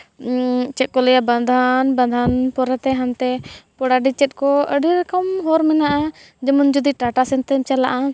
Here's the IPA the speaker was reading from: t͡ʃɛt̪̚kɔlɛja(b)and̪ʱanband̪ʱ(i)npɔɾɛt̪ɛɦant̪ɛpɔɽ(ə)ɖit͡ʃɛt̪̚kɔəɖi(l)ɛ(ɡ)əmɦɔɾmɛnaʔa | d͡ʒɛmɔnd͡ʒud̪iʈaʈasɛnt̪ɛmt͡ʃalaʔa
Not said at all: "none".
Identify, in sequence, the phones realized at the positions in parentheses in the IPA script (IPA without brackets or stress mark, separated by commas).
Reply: b, a, a, ɾ, k